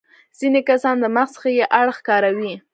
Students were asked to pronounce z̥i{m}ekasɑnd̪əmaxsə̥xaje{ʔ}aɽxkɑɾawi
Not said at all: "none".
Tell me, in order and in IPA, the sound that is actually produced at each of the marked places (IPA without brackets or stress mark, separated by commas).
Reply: n, ʔ